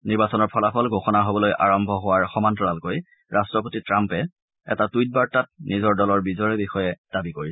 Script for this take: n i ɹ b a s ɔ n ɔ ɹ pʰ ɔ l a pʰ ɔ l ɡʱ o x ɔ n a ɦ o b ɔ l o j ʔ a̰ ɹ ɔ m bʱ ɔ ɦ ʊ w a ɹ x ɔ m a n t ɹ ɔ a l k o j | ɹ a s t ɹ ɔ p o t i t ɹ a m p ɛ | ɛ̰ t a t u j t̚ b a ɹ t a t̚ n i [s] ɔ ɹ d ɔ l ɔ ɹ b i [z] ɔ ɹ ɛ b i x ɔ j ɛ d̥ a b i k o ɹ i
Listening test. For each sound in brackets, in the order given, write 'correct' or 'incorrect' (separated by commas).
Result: incorrect, correct